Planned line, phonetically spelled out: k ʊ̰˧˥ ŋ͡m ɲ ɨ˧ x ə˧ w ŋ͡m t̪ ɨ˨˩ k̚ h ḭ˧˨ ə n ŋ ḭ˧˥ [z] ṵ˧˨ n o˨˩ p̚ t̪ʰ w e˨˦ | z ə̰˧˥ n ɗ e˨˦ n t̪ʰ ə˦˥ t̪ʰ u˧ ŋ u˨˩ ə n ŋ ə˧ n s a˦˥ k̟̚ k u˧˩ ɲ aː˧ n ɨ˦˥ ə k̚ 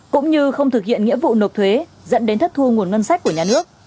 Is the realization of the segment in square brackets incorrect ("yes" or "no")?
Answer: yes